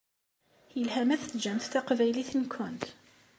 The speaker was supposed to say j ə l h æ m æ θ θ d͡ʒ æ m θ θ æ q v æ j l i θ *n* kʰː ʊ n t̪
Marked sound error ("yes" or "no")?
no